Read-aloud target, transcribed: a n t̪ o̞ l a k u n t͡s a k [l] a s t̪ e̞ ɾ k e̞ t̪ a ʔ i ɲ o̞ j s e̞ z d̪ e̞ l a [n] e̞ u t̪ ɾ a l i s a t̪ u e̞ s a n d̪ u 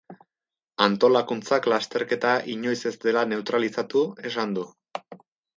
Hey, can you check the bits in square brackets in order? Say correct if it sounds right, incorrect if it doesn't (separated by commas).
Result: correct, correct